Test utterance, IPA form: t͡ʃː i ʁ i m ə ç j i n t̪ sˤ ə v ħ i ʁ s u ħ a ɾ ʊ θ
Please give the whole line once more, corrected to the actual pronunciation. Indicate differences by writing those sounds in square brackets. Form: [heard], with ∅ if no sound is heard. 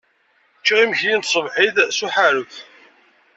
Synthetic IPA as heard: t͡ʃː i ʁ i m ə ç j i n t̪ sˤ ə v ħ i [ð] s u ħ a ɾ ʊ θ